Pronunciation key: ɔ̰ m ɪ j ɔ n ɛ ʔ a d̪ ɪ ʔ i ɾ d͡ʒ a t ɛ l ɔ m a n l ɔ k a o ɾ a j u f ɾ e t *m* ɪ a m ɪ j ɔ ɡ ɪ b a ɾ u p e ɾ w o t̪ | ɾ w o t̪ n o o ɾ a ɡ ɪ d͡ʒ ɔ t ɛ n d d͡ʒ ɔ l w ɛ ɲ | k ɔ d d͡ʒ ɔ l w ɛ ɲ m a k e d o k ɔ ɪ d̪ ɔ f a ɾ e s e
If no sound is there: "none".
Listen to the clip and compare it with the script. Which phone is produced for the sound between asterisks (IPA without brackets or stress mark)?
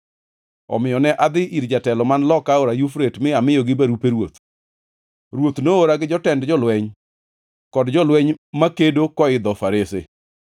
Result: m